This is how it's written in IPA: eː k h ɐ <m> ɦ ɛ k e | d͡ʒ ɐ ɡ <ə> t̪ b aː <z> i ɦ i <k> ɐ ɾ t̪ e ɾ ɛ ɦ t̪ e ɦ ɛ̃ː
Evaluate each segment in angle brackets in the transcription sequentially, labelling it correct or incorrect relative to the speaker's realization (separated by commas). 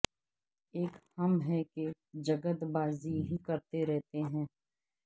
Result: correct, correct, correct, correct